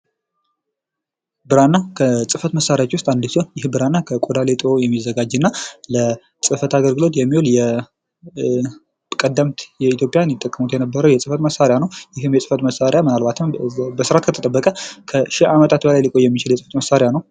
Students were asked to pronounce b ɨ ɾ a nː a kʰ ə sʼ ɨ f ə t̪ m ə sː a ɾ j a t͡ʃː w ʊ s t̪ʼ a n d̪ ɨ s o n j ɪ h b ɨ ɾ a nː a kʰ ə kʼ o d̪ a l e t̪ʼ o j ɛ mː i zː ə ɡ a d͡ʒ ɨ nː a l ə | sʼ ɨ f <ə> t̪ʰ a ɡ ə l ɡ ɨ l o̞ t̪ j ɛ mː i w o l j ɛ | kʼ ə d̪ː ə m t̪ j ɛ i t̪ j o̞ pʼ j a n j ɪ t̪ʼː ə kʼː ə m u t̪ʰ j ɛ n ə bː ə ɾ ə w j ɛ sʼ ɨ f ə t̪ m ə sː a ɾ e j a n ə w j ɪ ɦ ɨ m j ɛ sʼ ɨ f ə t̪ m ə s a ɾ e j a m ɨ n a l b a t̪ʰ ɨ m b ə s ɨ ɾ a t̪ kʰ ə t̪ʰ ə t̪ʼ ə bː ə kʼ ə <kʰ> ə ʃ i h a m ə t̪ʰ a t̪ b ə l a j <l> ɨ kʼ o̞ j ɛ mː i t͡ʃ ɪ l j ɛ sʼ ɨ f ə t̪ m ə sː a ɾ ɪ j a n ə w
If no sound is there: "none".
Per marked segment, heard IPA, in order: ə, kʰ, l

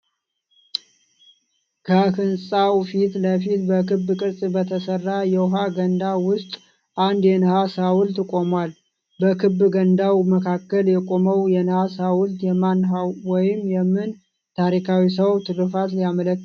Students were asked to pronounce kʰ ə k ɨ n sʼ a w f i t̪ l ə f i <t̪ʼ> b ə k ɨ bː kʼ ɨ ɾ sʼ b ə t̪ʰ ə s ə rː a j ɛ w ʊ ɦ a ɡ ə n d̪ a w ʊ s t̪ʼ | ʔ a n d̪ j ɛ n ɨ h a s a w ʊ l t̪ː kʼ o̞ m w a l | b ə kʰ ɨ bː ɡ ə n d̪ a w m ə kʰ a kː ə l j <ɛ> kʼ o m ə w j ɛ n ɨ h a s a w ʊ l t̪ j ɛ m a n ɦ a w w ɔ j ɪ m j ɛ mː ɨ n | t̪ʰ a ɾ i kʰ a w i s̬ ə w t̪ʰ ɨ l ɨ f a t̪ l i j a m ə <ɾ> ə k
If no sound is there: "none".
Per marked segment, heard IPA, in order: t̪, ɛ, l

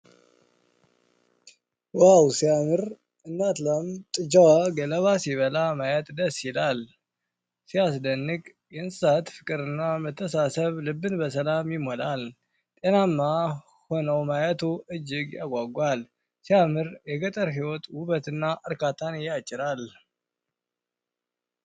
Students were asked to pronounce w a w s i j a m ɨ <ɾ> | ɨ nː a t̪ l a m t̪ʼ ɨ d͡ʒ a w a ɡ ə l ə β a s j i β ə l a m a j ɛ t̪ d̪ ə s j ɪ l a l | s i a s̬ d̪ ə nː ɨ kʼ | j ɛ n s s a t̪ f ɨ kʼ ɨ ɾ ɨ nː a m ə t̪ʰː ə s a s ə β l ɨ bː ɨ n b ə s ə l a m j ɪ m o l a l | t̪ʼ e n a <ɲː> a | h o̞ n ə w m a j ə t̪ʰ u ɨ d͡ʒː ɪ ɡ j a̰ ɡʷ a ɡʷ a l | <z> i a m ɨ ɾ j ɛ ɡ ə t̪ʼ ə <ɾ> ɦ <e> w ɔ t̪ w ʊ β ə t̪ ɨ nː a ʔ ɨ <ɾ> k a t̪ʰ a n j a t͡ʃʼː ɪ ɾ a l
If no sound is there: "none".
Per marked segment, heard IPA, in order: ɾ, mː, s, ɾ, i, ɾ

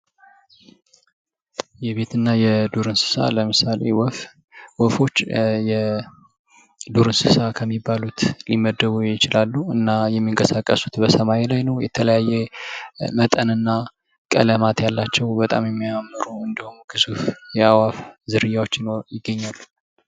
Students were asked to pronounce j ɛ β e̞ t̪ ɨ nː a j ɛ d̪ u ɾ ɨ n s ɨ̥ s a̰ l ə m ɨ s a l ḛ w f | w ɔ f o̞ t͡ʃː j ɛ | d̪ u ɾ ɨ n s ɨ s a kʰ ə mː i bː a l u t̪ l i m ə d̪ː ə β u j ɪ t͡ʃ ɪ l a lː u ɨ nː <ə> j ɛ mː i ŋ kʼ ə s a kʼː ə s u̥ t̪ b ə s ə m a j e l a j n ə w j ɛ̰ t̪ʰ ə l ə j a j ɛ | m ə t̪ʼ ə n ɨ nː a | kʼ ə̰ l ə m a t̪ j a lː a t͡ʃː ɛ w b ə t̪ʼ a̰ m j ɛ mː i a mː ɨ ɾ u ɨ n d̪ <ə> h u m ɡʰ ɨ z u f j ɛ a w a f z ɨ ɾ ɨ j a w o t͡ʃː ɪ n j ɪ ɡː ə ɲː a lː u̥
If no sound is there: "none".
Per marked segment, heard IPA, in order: a, ə

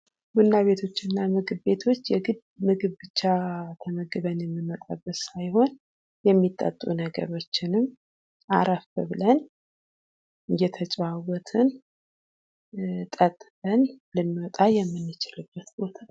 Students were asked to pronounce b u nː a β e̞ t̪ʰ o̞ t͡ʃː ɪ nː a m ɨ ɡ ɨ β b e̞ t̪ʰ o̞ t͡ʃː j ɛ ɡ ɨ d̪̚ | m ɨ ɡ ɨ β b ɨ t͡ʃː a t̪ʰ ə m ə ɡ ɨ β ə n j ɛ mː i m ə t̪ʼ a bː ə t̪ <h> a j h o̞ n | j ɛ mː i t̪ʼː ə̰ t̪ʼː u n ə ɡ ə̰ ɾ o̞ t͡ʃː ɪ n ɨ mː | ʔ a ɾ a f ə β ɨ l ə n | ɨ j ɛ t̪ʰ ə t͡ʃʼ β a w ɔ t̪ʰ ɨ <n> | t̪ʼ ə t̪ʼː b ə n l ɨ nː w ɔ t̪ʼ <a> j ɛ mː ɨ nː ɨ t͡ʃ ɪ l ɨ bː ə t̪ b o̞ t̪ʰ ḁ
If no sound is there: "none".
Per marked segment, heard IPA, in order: s, n, a

